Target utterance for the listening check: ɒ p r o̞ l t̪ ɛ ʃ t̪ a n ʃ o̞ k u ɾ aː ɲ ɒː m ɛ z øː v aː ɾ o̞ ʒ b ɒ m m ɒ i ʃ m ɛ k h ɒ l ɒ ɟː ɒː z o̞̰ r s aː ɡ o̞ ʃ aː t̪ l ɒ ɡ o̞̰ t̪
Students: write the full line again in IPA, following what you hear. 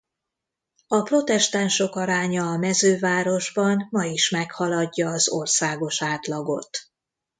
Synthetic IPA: ɒ p r o̞ t̪ ɛ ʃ t̪ a n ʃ o̞ k ɒ ɾ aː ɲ ɒː m ɛ z øː v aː ɾ o̞ ʒ b ɒ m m ɒ i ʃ m ɛ k h ɒ l ɒ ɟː ɒː z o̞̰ r s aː ɡ o̞ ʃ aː t̪ l ɒ ɡ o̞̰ t̪